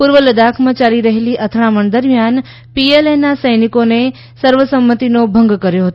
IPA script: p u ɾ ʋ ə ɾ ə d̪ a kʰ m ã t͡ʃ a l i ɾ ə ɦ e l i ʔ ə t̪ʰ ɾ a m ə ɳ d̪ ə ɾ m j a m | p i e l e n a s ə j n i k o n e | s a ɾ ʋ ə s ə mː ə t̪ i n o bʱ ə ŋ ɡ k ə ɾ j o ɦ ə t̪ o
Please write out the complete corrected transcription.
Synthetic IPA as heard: p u ɾ ʋ ə l ə d̪ a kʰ m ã t͡ʃ a l i ɾ ə ɦ e l i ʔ ə t̪ʰ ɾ a m ə ɳ d̪ ə ɾ m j a n | p i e l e n a s ə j n i k o n e | s ə ɾ ʋ ə s ə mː ə t̪ i n o bʱ ə ŋ ɡ k ə ɾ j o ɦ ə t̪ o